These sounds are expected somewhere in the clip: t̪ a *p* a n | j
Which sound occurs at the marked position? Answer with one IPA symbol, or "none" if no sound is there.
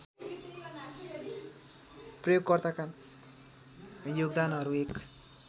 k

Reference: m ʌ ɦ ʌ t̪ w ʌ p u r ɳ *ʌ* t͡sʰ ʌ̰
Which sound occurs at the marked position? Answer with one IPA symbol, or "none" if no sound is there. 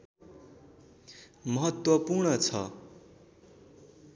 ʌ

